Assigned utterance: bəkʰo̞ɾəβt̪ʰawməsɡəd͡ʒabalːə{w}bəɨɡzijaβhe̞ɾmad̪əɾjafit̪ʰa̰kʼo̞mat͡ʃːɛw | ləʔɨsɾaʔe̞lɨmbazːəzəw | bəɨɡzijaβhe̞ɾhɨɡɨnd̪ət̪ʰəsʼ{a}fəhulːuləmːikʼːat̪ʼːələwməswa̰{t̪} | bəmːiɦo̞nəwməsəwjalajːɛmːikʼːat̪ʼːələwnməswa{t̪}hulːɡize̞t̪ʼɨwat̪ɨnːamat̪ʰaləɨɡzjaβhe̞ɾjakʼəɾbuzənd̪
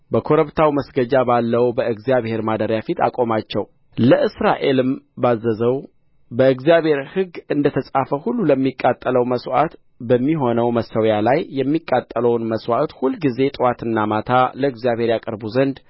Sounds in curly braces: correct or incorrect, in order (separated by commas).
correct, correct, correct, correct